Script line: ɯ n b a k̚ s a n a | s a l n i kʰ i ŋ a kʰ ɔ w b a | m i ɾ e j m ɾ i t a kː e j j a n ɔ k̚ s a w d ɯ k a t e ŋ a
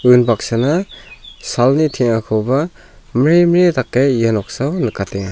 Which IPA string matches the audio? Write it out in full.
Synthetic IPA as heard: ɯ n b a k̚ s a n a | s a l n i tʰ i ŋ a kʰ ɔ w b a | m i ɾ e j m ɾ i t a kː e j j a n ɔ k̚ s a w n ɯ k a t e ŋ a